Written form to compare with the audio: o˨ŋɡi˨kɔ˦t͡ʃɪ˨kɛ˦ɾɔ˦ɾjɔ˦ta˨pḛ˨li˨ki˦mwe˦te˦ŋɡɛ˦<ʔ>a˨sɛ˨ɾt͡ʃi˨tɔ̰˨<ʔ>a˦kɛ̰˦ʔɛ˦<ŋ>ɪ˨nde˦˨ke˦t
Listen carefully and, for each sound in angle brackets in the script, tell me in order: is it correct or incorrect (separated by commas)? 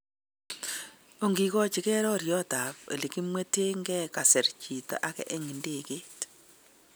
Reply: incorrect, correct, correct